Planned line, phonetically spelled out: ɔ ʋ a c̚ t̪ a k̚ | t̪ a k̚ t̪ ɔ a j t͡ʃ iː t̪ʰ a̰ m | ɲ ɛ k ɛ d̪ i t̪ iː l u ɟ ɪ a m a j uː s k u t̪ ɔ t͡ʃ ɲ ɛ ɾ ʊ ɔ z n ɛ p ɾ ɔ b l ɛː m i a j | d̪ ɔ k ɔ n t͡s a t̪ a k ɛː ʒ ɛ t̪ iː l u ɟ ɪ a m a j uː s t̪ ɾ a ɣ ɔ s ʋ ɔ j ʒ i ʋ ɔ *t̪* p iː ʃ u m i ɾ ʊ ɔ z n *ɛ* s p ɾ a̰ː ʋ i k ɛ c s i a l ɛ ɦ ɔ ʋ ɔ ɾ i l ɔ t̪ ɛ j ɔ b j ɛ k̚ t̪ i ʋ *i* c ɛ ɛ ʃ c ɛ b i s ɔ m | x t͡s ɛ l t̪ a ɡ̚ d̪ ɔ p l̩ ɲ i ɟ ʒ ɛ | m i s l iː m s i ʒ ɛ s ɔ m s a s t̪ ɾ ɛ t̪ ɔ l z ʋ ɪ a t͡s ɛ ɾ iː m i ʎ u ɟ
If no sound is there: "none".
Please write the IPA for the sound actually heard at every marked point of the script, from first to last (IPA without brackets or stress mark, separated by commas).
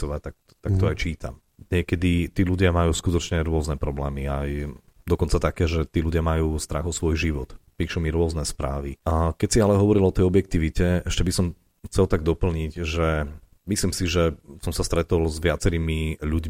t̪, ɛ, i